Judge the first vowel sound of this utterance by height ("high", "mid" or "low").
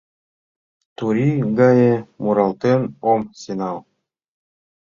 high